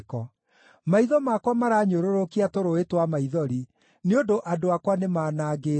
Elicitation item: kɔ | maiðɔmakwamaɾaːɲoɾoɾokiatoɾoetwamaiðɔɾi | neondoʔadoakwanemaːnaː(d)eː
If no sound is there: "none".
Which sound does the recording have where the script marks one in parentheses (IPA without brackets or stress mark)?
ɡ